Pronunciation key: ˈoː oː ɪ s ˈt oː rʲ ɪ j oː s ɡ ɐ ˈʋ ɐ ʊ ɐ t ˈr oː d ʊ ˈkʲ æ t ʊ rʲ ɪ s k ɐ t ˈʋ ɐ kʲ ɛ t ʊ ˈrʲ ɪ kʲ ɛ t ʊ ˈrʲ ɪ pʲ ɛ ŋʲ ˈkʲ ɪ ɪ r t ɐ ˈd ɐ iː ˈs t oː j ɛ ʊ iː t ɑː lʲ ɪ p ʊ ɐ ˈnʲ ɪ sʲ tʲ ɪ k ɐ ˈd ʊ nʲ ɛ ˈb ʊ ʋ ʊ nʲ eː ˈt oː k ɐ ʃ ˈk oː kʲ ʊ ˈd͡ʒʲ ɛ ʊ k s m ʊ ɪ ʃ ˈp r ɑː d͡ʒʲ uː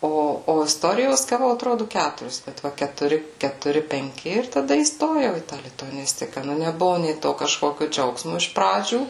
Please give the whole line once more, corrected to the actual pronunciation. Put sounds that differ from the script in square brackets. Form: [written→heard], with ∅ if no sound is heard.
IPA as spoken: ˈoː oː ɪ s ˈt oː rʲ ɪ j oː s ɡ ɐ ˈʋ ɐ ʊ ɐ t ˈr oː d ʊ ˈkʲ æ t ʊ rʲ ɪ s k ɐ t ˈʋ ɐ kʲ ɛ t ʊ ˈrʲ ɪ kʲ ɛ t ʊ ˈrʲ ɪ pʲ ɛ ŋʲ ˈkʲ ɪ ɪ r t ɐ ˈd ɐ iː ˈs t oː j ɛ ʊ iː t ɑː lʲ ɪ [p→t] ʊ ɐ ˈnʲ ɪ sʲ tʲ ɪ k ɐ [ˈd→ˈn] ʊ nʲ ɛ ˈb ʊ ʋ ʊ nʲ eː ˈt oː k ɐ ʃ ˈk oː kʲ ʊ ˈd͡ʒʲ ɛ ʊ k s m ʊ ɪ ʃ ˈp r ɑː d͡ʒʲ uː